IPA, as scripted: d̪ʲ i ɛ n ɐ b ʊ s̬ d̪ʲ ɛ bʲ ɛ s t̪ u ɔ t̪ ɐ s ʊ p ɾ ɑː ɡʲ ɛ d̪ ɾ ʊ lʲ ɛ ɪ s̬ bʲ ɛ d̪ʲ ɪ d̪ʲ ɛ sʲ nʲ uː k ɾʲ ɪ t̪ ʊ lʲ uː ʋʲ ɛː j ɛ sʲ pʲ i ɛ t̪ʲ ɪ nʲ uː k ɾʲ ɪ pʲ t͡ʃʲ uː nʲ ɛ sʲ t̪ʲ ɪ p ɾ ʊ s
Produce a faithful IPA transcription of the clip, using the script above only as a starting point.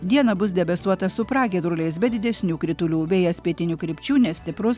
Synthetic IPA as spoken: d̪ʲ i ɛ n ɐ b ʊ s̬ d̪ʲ ɛ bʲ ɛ s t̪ u ɔ t̪ ɐ s ʊ p ɾ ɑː ɡʲ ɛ d̪ ɾ ʊ lʲ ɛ ɪ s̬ bʲ ɛ d̪ʲ ɪ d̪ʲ ɛ sʲ nʲ uː k ɾʲ ɪ t̪ ʊ lʲ uː ʋʲ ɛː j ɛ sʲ pʲ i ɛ t̪ʲ ɪ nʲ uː k ɾʲ ɪ pʲ t͡ʃʲ uː nʲ ɛ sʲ t̪ʲ ɪ p ɾ ʊ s